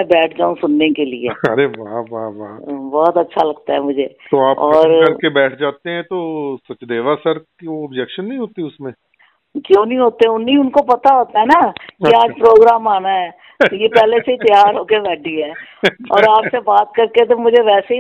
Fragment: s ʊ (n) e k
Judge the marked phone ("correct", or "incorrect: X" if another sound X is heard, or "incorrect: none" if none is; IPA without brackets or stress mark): incorrect: nː